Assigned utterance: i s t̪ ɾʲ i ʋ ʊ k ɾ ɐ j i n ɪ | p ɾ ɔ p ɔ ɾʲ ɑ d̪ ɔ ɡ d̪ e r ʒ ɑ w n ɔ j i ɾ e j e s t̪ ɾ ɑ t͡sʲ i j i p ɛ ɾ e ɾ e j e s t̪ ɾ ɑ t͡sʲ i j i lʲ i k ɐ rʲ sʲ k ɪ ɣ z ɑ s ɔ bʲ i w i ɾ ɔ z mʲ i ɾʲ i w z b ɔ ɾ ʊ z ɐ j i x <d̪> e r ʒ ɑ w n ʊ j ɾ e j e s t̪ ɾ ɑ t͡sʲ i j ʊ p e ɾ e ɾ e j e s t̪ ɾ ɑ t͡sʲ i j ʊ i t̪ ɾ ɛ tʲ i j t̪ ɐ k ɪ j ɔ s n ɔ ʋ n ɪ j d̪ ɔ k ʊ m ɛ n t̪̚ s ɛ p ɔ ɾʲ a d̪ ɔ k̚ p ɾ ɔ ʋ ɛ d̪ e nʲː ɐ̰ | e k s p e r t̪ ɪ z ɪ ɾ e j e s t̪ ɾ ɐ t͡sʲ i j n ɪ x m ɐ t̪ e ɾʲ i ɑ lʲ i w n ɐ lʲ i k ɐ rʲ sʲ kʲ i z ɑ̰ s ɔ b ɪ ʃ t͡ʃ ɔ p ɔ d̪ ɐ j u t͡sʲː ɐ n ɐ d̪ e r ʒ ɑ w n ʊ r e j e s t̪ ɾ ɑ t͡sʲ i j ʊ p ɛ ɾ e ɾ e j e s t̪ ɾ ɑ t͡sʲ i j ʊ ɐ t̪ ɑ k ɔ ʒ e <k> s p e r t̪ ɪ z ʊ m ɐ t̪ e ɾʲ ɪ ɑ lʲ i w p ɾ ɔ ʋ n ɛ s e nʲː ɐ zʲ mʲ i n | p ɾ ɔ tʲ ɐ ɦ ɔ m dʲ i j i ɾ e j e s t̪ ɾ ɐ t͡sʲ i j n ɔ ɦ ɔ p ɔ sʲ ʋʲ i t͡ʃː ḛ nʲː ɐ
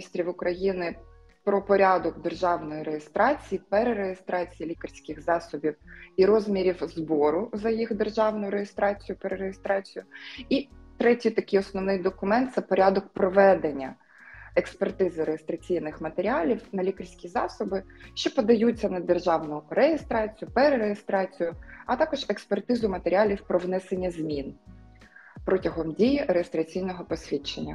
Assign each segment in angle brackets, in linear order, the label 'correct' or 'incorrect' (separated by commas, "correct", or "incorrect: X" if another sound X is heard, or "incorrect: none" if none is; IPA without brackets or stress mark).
correct, correct